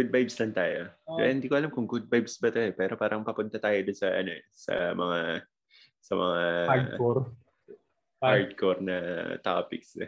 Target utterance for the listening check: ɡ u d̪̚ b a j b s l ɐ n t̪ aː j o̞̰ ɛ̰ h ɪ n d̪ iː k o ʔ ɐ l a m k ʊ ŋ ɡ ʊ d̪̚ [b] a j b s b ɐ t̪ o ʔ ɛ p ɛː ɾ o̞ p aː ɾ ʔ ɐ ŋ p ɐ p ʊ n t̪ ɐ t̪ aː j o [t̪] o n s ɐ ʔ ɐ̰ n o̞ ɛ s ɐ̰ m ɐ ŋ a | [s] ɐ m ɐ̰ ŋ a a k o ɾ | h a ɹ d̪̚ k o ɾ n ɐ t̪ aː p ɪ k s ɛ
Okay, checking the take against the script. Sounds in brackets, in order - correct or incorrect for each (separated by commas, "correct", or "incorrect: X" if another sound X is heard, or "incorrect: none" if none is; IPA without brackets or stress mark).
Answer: correct, incorrect: d̪, correct